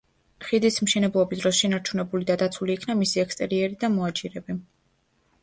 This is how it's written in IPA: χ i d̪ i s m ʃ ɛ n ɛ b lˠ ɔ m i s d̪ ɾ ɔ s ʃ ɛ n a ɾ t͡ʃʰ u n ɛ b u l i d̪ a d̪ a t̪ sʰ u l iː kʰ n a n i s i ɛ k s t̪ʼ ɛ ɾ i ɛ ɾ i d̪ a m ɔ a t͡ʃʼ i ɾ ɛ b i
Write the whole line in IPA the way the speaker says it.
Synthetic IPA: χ i d̪ i s m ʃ ɛ n ɛ b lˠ ɔ b i s d̪ ɾ ɔ s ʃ ɛ n a ɾ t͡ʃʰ u n ɛ b u l i d̪ a d̪ a t̪ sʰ u l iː kʰ n a m i s i ɛ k s t̪ʼ ɛ ɾ i ɛ ɾ i d̪ a m ɔ a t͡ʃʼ i ɾ ɛ b i